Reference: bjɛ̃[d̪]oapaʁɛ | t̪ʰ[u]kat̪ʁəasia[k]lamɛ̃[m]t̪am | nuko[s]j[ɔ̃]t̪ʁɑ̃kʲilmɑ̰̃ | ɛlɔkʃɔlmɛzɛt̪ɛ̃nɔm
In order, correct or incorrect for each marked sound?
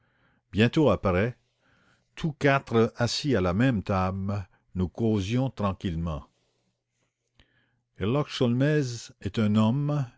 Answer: incorrect, correct, incorrect, correct, incorrect, correct

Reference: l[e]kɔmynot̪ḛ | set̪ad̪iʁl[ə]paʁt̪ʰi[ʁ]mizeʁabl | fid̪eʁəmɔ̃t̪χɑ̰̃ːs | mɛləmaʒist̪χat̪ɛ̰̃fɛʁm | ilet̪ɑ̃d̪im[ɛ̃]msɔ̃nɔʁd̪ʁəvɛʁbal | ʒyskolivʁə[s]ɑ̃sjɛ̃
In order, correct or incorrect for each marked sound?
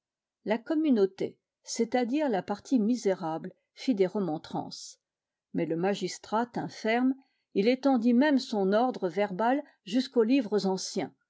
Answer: incorrect, incorrect, incorrect, incorrect, incorrect

